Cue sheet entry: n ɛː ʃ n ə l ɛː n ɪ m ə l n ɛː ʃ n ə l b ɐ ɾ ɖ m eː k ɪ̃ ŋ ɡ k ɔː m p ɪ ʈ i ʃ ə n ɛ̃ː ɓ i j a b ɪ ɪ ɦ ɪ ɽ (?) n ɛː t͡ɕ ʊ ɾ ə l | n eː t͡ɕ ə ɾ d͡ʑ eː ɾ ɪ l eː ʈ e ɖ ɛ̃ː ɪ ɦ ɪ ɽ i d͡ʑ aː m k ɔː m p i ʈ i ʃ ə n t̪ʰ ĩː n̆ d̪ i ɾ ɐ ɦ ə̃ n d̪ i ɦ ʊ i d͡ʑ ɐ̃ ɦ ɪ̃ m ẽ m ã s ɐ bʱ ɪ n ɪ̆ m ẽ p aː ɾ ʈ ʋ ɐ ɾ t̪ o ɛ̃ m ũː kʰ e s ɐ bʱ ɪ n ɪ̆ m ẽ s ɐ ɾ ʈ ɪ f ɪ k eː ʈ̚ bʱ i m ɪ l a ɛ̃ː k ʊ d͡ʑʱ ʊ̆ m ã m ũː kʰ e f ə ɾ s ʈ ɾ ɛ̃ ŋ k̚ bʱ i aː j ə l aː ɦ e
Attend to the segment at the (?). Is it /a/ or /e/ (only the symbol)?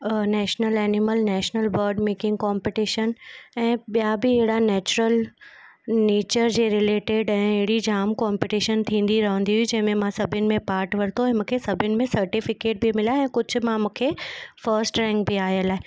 a